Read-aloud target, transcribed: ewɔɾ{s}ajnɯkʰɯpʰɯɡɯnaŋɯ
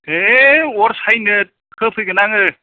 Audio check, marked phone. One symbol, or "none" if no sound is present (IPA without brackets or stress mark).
s